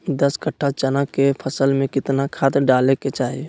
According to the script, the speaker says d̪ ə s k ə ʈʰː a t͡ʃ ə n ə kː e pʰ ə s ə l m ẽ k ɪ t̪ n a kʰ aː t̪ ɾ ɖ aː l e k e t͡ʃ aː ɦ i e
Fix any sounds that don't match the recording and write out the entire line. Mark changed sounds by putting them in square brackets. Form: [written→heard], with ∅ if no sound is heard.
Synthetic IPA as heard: d̪ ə s k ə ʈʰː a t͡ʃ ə n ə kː e pʰ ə s ə l m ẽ k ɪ t̪ n a kʰ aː t̪ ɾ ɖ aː l e k e t͡ʃ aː ɦ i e